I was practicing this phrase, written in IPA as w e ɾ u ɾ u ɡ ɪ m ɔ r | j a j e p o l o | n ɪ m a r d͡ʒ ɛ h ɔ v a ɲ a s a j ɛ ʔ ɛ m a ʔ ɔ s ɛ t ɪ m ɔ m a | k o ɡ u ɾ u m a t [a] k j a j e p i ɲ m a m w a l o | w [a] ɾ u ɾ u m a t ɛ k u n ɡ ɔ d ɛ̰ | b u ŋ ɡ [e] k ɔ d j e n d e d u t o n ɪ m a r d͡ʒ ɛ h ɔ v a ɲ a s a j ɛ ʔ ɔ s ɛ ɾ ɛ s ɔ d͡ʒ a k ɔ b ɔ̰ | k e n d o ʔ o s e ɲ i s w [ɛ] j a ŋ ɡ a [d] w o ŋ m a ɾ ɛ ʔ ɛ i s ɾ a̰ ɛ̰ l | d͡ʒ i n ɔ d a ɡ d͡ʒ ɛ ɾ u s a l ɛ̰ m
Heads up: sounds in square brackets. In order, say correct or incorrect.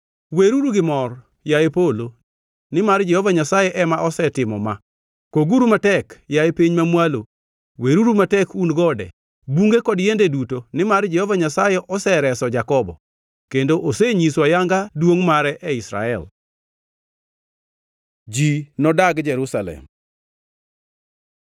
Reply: incorrect, incorrect, correct, incorrect, correct

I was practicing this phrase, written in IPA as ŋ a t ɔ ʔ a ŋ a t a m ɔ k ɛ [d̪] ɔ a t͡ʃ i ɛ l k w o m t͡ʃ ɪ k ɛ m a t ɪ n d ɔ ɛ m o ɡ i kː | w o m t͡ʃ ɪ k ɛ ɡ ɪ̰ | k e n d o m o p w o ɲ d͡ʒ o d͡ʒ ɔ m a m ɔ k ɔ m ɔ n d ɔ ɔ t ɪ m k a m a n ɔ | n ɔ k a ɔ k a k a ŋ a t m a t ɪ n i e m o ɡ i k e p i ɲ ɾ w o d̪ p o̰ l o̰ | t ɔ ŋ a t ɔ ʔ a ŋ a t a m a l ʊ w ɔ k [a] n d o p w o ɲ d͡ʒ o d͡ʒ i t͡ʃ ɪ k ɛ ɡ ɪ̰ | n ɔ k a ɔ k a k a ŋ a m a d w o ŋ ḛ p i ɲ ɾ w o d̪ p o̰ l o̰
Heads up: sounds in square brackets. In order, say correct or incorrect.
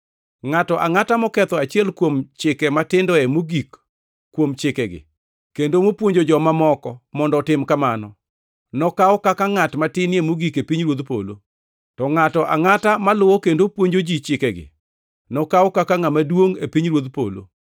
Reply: incorrect, incorrect

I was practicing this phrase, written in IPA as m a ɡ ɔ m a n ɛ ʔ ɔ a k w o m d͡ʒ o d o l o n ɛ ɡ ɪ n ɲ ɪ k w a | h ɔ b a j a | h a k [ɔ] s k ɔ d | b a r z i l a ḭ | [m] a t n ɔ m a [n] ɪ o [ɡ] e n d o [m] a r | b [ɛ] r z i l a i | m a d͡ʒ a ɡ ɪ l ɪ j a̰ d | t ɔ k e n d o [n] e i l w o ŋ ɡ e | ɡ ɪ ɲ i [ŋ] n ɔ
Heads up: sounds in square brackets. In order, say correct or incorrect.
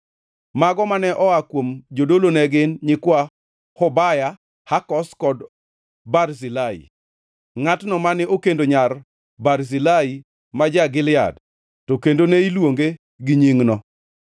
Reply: correct, incorrect, correct, incorrect, incorrect, incorrect, correct, correct

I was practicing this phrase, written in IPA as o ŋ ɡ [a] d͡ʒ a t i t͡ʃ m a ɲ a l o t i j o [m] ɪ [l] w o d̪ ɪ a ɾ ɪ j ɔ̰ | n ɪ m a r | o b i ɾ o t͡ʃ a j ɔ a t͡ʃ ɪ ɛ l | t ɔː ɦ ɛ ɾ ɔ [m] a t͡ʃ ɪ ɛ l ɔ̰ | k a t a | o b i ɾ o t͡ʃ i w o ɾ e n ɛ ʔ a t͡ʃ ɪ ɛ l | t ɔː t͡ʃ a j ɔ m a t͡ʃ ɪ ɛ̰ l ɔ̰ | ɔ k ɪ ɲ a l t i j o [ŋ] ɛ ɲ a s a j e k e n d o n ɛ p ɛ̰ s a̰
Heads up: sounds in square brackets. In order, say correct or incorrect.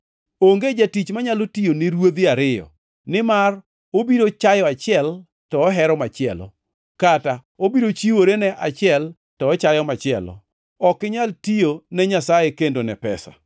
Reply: incorrect, incorrect, incorrect, correct, incorrect

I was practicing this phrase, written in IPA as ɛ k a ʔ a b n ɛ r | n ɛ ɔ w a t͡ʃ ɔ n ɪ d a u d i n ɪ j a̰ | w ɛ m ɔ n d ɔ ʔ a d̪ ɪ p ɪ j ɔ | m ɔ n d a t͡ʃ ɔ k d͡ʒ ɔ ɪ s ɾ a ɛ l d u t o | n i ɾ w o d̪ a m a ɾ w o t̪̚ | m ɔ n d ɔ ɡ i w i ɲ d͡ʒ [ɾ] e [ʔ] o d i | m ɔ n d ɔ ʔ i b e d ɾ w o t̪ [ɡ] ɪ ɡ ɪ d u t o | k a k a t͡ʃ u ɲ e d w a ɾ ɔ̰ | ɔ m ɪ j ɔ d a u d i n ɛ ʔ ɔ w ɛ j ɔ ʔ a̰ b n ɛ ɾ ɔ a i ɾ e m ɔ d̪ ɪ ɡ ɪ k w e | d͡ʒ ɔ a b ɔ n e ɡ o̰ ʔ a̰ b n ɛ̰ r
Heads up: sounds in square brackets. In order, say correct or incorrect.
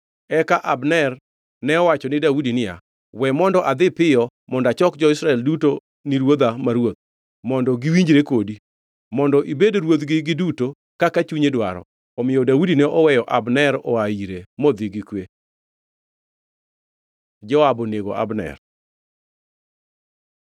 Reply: correct, incorrect, correct

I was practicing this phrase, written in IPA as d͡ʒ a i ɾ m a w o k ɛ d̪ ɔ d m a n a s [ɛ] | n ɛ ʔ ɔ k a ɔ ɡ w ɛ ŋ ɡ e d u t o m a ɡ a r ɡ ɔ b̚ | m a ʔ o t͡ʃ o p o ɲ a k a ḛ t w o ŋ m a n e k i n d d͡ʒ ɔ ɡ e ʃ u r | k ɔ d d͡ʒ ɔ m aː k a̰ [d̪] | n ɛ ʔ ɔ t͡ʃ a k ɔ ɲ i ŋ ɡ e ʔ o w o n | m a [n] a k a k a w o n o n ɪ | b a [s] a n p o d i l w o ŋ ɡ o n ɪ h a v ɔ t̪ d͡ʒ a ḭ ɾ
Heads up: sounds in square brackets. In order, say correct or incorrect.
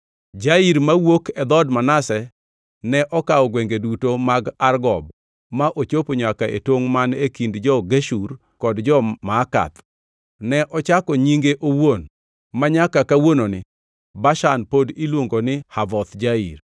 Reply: correct, incorrect, incorrect, incorrect

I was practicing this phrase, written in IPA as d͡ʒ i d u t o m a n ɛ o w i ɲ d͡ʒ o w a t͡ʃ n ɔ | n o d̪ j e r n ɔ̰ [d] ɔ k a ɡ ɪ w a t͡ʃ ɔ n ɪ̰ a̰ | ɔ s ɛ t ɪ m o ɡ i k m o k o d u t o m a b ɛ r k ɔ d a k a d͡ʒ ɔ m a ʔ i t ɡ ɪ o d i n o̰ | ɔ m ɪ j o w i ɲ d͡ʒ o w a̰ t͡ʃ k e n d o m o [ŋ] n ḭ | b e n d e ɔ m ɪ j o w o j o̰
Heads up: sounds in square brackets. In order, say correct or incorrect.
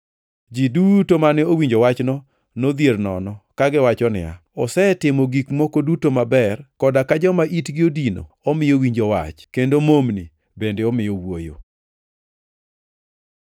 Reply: incorrect, incorrect

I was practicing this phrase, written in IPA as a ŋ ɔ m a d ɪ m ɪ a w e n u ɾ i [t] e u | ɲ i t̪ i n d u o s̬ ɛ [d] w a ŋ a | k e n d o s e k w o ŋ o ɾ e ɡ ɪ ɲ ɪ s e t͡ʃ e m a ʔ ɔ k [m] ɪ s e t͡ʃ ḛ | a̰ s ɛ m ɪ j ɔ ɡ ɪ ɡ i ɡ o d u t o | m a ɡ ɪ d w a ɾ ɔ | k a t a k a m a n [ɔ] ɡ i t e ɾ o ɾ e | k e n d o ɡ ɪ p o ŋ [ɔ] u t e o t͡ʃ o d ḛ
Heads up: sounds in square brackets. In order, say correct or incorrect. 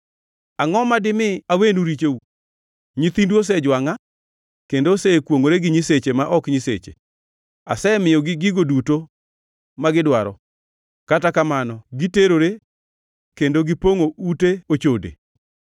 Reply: incorrect, incorrect, incorrect, correct, incorrect

